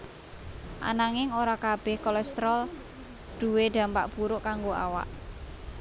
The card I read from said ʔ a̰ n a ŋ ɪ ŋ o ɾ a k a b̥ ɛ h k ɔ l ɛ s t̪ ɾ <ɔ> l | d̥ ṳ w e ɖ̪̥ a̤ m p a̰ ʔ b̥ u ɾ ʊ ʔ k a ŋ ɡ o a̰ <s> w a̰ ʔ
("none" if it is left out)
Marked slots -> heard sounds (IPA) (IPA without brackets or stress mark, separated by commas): ɔ, none